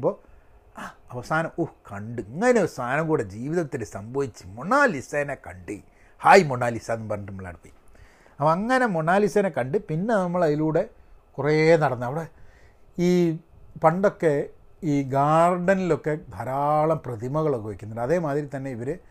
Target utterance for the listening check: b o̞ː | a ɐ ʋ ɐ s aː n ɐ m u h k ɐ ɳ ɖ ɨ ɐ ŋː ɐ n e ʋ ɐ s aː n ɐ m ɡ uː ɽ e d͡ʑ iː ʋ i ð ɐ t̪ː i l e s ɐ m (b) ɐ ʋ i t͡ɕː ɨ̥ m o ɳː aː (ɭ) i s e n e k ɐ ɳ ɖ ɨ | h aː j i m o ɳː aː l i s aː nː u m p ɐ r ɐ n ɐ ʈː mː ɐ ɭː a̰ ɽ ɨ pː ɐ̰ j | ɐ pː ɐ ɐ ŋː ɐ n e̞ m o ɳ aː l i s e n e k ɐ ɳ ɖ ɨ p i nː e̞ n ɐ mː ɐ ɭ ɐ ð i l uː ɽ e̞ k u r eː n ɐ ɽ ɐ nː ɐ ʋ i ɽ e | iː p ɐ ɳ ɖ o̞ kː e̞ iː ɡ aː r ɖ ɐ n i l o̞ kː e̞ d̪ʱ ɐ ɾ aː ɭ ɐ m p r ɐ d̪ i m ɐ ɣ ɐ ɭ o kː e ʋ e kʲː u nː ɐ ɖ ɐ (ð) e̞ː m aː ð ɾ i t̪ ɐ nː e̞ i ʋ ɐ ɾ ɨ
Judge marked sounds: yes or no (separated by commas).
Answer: yes, no, yes